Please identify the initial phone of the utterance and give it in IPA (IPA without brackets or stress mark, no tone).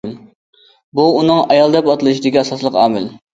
b